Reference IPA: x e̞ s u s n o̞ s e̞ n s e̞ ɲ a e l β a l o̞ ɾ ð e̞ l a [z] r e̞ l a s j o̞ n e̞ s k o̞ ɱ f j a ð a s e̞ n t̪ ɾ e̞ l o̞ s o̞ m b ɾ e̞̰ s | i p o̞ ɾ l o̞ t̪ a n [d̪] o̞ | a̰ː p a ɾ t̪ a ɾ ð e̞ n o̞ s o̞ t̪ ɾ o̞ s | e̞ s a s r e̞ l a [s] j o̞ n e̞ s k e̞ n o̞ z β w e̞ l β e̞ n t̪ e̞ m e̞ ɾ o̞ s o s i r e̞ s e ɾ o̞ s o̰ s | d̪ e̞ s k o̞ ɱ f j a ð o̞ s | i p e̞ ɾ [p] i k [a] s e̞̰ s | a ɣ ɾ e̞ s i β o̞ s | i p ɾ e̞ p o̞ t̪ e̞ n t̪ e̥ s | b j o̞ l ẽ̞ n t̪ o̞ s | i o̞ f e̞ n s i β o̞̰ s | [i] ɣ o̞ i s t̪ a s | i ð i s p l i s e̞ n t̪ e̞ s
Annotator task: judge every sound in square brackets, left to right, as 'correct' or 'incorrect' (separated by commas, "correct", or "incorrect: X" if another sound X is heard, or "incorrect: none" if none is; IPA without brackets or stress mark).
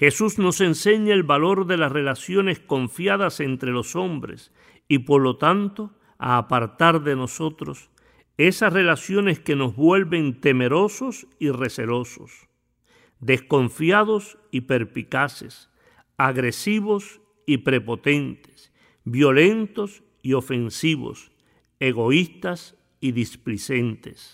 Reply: incorrect: s, incorrect: t̪, correct, correct, correct, incorrect: e